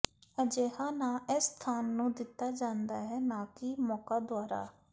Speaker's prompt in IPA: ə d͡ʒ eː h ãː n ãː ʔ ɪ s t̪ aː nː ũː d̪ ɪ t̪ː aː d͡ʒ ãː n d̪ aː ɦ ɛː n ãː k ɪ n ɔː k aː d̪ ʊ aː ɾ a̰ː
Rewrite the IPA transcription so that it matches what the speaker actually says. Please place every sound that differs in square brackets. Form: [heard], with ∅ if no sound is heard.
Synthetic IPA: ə d͡ʒ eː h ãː n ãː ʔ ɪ s [t̪ʰ] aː nː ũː d̪ ɪ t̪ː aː d͡ʒ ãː n d̪ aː ɦ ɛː n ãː k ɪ [m] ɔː k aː d̪ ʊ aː ɾ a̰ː